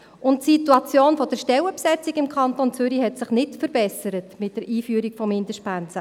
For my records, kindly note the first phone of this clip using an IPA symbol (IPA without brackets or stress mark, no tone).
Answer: ʊ